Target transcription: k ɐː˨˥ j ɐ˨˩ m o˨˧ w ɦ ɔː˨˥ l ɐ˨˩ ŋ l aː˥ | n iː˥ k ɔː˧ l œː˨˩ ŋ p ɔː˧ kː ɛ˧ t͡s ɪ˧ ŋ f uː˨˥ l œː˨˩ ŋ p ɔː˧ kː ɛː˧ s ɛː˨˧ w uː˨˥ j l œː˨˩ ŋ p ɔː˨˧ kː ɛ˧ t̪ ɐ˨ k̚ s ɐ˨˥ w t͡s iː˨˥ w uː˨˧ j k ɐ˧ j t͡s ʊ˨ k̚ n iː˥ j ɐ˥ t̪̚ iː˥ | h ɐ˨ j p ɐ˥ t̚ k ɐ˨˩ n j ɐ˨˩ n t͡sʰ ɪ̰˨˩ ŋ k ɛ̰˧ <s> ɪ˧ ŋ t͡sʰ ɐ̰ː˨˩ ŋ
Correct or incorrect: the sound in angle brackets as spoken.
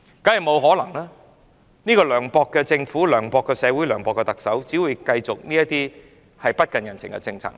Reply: incorrect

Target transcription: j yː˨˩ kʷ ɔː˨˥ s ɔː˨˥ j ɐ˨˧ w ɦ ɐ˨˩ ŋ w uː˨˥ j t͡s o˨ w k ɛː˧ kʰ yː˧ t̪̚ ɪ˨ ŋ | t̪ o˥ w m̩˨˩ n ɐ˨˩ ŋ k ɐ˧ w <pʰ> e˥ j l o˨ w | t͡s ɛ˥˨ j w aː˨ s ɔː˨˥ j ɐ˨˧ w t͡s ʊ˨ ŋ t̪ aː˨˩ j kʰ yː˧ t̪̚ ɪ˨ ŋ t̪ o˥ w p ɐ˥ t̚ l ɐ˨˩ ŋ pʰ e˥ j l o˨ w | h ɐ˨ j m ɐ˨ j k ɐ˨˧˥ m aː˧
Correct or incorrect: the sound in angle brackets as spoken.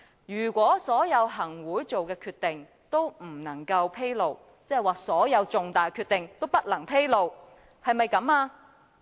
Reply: correct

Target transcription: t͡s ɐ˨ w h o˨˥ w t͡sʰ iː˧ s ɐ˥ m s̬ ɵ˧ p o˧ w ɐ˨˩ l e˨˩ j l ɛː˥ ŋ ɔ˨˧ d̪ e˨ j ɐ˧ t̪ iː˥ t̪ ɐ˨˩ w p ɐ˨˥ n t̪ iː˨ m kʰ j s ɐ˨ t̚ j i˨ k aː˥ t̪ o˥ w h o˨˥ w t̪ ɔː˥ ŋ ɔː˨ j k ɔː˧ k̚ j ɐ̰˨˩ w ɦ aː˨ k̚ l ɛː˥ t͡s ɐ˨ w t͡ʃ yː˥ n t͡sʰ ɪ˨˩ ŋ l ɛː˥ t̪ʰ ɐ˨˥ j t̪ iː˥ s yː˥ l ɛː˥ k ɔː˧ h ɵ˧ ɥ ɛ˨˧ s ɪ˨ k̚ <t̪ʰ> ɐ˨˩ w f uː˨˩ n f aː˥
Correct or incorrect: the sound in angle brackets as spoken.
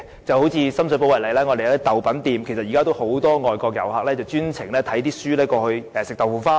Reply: incorrect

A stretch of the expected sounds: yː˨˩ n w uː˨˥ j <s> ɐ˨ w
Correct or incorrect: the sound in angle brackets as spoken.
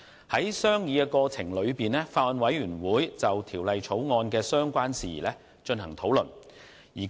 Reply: incorrect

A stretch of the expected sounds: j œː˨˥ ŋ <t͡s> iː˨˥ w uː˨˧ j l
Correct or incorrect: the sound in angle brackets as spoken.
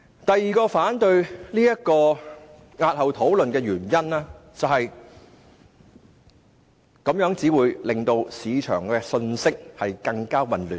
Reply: correct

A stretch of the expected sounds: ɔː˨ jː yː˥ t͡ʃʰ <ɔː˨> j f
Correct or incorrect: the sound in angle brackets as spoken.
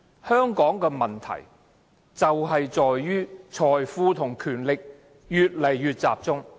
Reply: correct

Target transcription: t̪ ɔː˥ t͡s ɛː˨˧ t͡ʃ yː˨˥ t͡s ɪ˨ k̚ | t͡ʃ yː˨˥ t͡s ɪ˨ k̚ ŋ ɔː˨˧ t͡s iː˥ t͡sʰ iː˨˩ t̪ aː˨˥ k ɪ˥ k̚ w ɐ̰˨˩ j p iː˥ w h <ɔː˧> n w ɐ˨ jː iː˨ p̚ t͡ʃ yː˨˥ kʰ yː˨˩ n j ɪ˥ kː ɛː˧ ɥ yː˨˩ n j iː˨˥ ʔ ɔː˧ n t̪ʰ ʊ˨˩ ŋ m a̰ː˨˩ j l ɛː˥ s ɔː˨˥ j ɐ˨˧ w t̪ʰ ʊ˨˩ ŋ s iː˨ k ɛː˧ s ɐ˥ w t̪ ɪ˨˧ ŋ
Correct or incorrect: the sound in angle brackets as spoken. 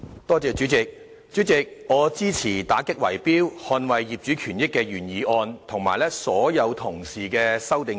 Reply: correct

